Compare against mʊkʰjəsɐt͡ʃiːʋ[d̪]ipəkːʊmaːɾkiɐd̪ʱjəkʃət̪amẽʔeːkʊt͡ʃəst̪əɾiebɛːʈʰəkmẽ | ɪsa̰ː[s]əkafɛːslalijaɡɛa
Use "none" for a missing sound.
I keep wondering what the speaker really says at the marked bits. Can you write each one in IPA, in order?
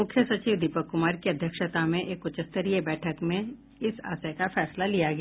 d̪, s

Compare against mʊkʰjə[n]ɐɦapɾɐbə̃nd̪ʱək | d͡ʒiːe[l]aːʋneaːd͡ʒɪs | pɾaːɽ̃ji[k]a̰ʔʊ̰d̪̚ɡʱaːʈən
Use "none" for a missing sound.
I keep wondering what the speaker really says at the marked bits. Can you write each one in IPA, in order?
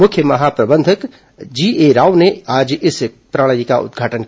m, ɾ, k

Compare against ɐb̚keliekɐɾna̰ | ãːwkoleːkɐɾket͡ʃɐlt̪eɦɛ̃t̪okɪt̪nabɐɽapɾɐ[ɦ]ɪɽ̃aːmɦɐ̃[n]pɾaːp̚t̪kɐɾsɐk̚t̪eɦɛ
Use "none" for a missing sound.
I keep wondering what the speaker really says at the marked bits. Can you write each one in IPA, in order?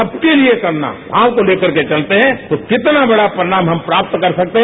none, m

